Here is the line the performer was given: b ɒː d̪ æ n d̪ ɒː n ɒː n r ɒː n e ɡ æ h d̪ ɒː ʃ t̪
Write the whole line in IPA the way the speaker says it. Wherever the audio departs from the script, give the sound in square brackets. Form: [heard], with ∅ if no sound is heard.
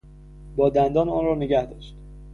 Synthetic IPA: b ɒː d̪ æ n d̪ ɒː n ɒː n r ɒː n e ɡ æ h d̪ ɒː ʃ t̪